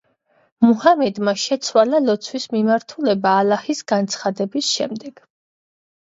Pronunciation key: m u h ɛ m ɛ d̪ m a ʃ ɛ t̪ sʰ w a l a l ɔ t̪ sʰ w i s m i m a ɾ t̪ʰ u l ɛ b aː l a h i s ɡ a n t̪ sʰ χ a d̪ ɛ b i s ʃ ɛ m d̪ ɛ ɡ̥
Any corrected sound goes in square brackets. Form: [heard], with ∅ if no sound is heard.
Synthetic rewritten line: m u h [a] m ɛ d̪ m a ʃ ɛ t̪ sʰ w a l a l ɔ t̪ sʰ w i s m i m a ɾ t̪ʰ u l ɛ b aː l a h i s ɡ a n t̪ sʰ χ a d̪ ɛ b i s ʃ ɛ m d̪ ɛ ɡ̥